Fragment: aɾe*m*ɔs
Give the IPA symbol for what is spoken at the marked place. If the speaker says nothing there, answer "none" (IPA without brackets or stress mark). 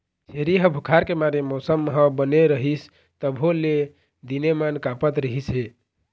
m